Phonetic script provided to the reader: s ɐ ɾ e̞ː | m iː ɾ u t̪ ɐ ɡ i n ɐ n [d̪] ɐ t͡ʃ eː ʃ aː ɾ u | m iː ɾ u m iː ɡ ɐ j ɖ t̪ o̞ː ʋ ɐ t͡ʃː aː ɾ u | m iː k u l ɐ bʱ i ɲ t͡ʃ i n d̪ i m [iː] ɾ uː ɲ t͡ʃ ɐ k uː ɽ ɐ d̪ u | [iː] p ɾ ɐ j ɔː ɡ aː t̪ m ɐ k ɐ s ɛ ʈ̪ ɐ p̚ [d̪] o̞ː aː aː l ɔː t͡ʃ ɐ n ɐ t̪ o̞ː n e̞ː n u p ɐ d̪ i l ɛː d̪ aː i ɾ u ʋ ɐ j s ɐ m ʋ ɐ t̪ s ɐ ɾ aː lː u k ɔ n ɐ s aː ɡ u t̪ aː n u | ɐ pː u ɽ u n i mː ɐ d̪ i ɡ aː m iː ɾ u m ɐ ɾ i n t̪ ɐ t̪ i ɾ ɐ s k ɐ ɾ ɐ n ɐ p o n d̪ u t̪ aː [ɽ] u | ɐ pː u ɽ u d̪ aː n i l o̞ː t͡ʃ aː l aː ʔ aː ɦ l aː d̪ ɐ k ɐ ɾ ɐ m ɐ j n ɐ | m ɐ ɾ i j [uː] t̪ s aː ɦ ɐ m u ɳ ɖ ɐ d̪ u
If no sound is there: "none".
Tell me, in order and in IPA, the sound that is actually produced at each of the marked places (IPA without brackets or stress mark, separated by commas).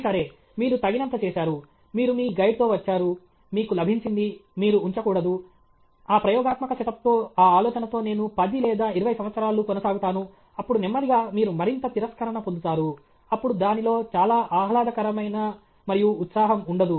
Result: t̪, iː, aː, t̪, ɾ, uː